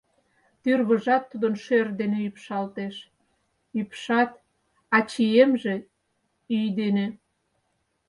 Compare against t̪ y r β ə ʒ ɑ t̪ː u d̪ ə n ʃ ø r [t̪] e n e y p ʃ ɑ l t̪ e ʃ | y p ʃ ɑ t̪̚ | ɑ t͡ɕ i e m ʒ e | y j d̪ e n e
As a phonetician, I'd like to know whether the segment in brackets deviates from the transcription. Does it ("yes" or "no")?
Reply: yes